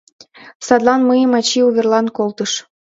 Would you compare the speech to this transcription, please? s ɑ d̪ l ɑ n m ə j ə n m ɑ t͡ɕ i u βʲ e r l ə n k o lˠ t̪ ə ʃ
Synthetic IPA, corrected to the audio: s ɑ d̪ l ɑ n m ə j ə m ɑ t͡ɕ i u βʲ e r l ɑ n k o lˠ t̪ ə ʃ

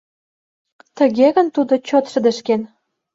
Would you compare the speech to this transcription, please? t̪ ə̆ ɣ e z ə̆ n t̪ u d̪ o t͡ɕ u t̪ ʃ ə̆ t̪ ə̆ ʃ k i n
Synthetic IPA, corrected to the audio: t̪ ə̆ ɣ e ɣ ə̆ n t̪ u d̪ o t͡ɕ o t̪ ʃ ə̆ d̪ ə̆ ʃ k e n

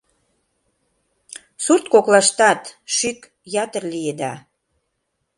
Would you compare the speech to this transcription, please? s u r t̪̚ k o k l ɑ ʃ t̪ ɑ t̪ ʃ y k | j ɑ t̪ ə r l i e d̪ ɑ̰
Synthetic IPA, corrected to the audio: s u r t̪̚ k o k l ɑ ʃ t̪ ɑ t̪ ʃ y k | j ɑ t̪ ə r l i e d̪ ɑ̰

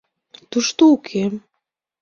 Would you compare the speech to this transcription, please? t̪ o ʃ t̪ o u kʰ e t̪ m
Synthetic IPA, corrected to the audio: t̪ u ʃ t̪ o u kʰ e m

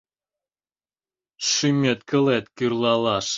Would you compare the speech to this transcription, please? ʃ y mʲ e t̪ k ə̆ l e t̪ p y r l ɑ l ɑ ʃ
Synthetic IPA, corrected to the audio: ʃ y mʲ e t̪ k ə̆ l e t̪ k y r l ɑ l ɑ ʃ

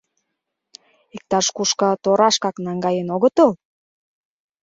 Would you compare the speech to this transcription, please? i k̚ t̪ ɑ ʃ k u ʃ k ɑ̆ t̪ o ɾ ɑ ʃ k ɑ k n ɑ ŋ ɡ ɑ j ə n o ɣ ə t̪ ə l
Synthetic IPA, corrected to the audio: i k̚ t̪ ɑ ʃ k u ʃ k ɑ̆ t̪ o ɾ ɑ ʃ k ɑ k n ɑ ŋ ɡ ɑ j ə n o ɣ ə t̪ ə l

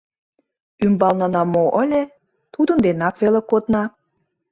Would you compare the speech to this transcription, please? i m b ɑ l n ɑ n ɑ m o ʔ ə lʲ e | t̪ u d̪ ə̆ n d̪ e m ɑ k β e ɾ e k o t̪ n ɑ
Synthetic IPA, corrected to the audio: y m b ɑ l n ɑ n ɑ m o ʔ ə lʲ e | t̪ u d̪ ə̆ n d̪ e n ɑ k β e l e k o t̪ n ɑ

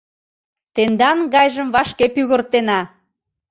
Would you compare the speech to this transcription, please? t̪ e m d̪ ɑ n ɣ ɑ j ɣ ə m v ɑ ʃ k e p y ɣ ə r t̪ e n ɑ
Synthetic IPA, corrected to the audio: t̪ e n d̪ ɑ n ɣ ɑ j ʒ ə m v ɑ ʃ k e p y ɣ ə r t̪ e n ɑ

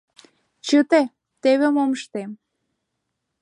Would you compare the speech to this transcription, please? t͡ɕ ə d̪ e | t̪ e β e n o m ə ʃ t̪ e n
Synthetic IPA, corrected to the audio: t͡ɕ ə t̪ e | t̪ e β e m o m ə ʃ t̪ e m

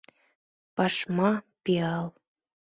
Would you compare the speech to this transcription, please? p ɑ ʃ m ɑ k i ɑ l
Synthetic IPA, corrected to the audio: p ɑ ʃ m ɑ p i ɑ l

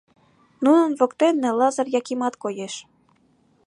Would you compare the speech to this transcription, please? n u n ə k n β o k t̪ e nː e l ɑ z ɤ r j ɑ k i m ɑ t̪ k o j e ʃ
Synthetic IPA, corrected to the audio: n u n ə n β o k t̪ e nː e l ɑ z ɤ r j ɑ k i m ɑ t̪ k o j e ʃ

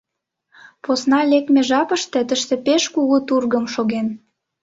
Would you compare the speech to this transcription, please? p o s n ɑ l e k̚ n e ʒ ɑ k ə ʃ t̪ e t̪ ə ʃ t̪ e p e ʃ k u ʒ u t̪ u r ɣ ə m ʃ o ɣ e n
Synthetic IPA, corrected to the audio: p o s n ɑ l e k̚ m e ʒ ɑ p ə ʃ t̪ e t̪ ə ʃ t̪ e p e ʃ k u ɣ u t̪ u r ɣ ə m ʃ o ɣ e n

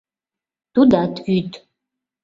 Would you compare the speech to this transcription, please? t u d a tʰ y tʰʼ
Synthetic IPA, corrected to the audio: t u d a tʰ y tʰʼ

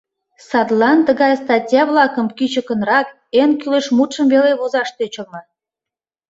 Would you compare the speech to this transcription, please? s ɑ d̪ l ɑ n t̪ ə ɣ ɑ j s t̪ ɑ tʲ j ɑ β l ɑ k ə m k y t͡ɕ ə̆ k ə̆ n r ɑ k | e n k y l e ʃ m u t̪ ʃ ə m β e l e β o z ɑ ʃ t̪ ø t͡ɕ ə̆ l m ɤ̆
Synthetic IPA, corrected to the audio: s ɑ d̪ l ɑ n t̪ ə ɣ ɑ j s t̪ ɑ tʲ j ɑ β l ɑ k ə m k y t͡ɕ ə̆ k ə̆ n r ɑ k | e n k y l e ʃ m u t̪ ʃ ə m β e l e β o z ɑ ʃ t̪ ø t͡ɕ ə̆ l m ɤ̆

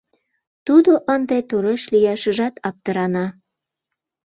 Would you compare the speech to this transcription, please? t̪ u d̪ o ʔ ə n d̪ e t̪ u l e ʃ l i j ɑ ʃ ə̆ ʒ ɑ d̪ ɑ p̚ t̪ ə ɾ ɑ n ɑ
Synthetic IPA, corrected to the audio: t̪ u d̪ o ʔ ə n d̪ e t̪ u ɾ e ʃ l i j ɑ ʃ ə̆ ʒ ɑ t̪ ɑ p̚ t̪ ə ɾ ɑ n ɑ

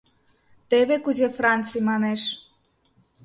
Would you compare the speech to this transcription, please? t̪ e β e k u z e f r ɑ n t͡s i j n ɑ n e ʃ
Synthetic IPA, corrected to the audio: t̪ e β e k u z e f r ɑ n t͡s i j m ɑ n e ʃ

